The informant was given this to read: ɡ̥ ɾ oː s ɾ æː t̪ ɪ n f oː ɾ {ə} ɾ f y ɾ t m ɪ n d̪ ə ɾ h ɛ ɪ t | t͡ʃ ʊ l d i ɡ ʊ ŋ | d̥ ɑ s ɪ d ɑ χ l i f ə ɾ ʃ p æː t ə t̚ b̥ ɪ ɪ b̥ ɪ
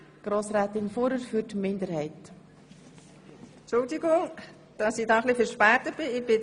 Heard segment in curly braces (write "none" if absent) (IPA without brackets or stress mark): ə